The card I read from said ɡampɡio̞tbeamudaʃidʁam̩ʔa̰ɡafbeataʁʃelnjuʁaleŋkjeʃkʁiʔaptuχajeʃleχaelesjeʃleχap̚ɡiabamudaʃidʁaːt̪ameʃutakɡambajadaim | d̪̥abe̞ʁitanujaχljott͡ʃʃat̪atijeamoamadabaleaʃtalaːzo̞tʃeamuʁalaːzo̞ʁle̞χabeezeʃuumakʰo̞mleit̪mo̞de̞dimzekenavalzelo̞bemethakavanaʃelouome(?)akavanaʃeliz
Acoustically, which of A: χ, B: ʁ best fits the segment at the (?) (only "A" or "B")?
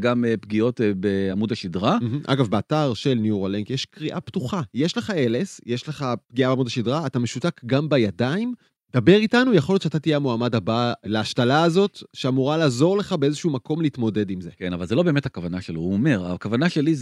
B